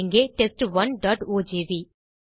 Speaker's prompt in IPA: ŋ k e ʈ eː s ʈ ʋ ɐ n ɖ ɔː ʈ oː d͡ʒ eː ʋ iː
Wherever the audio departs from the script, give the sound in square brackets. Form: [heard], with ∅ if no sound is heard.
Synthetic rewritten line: ŋ [ɡ] e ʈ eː s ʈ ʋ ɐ n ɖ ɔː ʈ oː d͡ʒ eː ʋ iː